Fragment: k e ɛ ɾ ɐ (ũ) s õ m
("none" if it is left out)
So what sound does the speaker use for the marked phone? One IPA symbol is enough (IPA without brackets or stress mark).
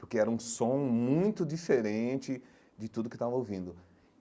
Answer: ũ